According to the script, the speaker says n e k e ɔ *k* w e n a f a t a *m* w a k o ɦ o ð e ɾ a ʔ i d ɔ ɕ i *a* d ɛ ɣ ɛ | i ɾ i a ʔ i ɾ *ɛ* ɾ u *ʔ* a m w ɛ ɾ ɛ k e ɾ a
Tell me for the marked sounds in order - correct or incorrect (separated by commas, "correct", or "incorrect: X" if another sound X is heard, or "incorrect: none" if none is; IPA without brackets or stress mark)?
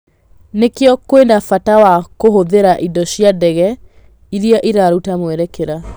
correct, incorrect: none, correct, incorrect: a, incorrect: t